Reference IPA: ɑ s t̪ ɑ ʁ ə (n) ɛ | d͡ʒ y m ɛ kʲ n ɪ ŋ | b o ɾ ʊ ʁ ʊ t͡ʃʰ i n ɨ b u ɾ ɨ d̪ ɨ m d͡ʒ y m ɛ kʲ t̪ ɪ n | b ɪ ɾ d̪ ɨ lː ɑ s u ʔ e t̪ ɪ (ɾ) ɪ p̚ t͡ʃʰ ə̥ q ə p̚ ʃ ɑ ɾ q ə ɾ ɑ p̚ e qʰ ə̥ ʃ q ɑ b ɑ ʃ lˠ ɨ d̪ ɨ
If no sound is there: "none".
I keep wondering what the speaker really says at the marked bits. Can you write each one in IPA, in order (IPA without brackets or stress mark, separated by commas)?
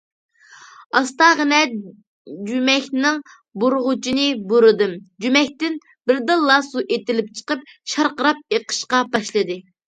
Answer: n, l